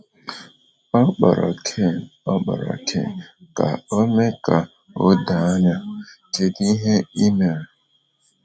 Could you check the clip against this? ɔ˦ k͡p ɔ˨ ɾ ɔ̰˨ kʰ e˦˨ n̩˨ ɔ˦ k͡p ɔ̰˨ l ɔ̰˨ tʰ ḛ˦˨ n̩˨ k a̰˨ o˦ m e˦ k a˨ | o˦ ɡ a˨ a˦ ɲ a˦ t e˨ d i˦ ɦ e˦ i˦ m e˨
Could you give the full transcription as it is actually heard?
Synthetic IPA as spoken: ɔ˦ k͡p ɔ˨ ɾ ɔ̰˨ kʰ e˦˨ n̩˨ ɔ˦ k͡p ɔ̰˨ ɾ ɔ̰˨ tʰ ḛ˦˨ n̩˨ k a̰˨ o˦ m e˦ k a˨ | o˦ d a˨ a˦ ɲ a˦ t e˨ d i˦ ɦ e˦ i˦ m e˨